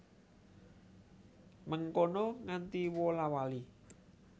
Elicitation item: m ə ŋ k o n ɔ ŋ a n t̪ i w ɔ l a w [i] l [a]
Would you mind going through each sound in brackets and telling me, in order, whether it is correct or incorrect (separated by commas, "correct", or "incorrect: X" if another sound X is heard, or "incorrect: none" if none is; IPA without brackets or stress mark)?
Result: incorrect: a, incorrect: i